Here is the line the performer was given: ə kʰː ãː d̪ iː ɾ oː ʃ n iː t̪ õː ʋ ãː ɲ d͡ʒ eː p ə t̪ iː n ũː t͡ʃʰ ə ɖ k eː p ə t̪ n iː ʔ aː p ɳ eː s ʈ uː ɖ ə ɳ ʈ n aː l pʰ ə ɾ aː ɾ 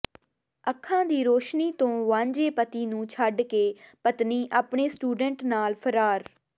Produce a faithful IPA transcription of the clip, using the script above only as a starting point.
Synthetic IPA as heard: ə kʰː ãː d̪ iː ɾ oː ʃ n iː t̪ õː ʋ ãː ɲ d͡ʒ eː p ə t̪ iː n ũː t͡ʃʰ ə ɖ k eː p ə t̪ n iː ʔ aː p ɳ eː s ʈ uː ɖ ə ɳ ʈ n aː l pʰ ə ɾ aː ɾ